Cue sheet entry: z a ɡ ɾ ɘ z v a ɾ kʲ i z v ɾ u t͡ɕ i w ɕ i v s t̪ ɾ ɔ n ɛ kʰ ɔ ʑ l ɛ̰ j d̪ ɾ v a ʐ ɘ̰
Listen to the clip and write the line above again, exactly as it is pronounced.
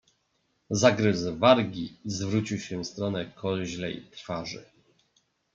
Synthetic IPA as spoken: z a ɡ ɾ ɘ z v a ɾ ɡʲ i z v ɾ u t͡ɕ i w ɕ ɛ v s t̪ ɾ ɔ n ɛ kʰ ɔ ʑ l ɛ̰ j t̪ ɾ f a ʐ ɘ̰

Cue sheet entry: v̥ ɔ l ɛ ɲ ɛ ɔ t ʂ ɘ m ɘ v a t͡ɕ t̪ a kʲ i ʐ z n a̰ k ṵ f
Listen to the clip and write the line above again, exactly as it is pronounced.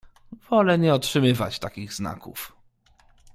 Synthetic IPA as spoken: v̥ ɔ l ɛ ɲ ɛ ɔ t ʂ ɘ m ɘ v a t͡ɕ t̪ a kʲ i ɣ z n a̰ k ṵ f

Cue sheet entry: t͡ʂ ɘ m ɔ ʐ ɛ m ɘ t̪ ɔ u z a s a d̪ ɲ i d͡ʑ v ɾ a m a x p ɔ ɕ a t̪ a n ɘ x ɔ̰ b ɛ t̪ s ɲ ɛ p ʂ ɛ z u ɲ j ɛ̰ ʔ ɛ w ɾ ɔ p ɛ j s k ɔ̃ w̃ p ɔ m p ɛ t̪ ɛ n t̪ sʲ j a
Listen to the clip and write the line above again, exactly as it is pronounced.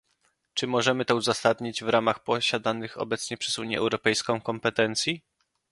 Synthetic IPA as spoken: t͡ʂ ɘ m ɔ ʐ ɛ m ɘ t̪ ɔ u z a s a d̪ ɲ i d͡ʑ v ɾ a m a x p ɔ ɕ a d̪ a n ɘ x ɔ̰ b ɛ t̪ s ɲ ɛ p ʂ ɛ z u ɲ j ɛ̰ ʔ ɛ w ɾ ɔ p ɛ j s k ɔ̃ w̃ k ɔ m p ɛ t̪ ɛ n t̪ sʲ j i

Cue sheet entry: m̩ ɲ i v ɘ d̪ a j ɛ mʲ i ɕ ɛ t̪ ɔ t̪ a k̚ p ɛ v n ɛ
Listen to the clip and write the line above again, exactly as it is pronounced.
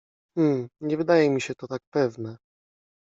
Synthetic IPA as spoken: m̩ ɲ ɛ v ɘ d̪ a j ɛ mʲ i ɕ ɛ t̪ ɔ t̪ a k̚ p ɛ v n ɛ

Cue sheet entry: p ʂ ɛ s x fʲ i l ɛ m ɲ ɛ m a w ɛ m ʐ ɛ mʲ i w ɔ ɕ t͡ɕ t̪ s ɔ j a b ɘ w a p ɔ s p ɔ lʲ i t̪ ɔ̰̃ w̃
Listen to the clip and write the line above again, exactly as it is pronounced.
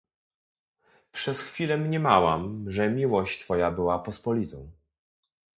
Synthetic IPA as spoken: p ʂ ɛ s x fʲ i l ɛ m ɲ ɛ m a w a m ʐ ɛ mʲ i w ɔ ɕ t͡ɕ t̪ f ɔ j a b ɘ w a p ɔ s p ɔ lʲ i t̪ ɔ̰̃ w̃

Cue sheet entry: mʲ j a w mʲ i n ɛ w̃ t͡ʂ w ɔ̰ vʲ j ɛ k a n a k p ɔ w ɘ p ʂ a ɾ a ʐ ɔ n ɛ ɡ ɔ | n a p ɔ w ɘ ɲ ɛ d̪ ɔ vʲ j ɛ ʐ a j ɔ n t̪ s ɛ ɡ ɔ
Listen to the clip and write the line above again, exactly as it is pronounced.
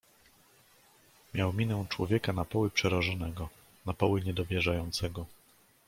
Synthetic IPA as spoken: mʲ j a w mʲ i n ɛ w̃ t͡ʂ w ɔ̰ vʲ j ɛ k a n a p ɔ w ɘ p ʂ ɛ ɾ a ʐ ɔ n ɛ ɡ ɔ | n a p ɔ w ɘ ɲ ɛ d̪ ɔ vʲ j ɛ ʐ a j ɔ n t̪ s ɛ ɡ ɔ

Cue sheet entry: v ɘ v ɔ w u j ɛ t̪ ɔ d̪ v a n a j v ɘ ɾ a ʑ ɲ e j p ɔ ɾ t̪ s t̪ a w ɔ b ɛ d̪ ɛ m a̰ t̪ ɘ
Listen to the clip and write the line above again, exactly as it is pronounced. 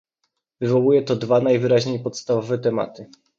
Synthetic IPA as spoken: v ɘ v ɔ w u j ɛ t̪ ɔ d̪ v a n a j v ɘ ɾ a ʑ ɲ e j p ɔ t̪ s t̪ a v ɔ v ɛ t̪ ɛ m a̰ t̪ ɘ

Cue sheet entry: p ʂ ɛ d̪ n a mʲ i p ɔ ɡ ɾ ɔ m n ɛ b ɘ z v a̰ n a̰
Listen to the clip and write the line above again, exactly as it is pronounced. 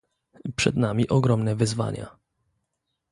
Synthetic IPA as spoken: p ʂ ɛ d̪ n a mʲ i ʔ ɔ ɡ ɾ ɔ m n ɛ v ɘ z v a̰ ɲ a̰

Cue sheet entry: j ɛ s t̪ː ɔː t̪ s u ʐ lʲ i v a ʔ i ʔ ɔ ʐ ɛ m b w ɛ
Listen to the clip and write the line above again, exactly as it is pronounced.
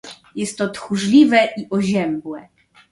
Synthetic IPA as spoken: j ɛ s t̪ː ɔ t̪ x u ʐ lʲ i v ɛ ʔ i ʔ ɔ ʑ ɛ m b w ɛ

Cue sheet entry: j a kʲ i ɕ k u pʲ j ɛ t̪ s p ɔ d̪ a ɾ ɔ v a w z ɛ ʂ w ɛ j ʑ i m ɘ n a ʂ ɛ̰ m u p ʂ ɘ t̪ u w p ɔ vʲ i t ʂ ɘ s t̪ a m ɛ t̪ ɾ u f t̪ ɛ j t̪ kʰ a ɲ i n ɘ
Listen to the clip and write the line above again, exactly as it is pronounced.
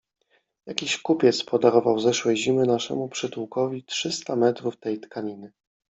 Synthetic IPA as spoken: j a kʲ i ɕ k u pʲ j ɛ t̪ s p ɔ d̪ a ɾ ɔ v a w z ɛ ʂ w ɛ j ʑ i m ɘ n a ʂ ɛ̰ m u p ʂ ɘ t̪ u w k ɔ vʲ i t ʂ ɘ s t̪ a m ɛ t̪ ɾ u f t̪ ɛ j t̪ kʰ a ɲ i n ɘ

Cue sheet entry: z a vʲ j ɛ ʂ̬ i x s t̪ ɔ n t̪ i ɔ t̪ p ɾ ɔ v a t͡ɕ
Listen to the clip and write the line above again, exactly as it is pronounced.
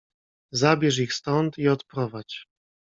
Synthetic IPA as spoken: z a bʲ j ɛ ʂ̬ i x s t̪ ɔ n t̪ i ɔ t̪ p ɾ ɔ v a t͡ɕ

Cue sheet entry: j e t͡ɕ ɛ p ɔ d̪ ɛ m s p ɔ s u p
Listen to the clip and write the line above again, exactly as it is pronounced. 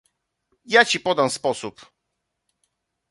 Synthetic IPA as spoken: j a t͡ɕ i p ɔ d̪ a m s p ɔ s u p

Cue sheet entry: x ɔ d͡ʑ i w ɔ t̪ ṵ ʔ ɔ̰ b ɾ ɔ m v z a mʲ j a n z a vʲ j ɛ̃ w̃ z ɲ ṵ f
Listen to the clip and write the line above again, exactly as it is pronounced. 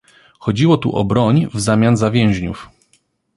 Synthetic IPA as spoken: x ɔ d͡ʑ i w ɔ t̪ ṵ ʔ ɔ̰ b ɾ ɔ ɲ v z a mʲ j a n z a vʲ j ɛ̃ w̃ ʑ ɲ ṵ f

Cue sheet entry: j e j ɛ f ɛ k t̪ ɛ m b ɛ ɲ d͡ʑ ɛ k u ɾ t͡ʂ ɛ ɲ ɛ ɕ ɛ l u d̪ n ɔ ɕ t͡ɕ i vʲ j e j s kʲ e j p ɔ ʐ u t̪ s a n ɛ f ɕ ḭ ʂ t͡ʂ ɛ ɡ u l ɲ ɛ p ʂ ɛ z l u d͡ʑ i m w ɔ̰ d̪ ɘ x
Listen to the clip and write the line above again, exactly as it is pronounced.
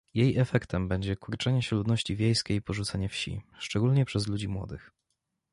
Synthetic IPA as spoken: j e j ɛ f ɛ k t̪ ɛ m b ɛ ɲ d͡ʑ ɛ k u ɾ t͡ʂ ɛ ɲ ɛ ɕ ɛ l u d̪ n ɔ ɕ t͡ɕ i vʲ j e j s kʲ e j p ɔ ʐ u t̪ s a ɲ ɛ f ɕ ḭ ʂ t͡ʂ ɛ ɡ u l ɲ ɛ p ʂ ɛ z l u d͡ʑ i m w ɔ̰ d̪ ɘ x

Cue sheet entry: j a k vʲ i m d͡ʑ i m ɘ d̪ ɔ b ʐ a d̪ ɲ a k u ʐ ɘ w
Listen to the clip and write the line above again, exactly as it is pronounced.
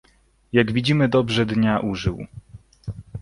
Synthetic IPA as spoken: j a ɡ vʲ i d͡ʑ i m ɘ d̪ ɔ b ʐ ɛ d̪ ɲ a ʔ u ʐ ɘ w

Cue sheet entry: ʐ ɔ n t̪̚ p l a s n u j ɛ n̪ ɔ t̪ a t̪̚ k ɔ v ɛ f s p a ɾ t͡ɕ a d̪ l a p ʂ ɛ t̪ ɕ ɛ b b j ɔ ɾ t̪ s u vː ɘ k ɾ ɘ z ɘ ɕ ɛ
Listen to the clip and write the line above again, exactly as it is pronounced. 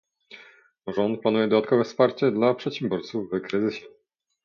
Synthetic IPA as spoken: ʐ ɔ n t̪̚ p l a n u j ɛ d̪ ɔ d̪ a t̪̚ k ɔ v ɛ f s p a ɾ t͡ɕ ɛ d̪ l a p ʂ ɛ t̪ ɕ ɛ m b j ɔ ɾ t̪ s u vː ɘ k ɾ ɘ z ɘ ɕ ɛ

